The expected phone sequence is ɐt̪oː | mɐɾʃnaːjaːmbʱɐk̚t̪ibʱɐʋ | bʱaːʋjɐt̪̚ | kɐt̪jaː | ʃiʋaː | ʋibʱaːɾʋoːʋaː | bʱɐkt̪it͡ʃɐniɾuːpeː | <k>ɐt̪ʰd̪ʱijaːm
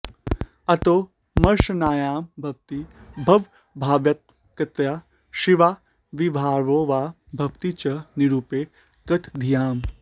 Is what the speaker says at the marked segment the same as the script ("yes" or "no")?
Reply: yes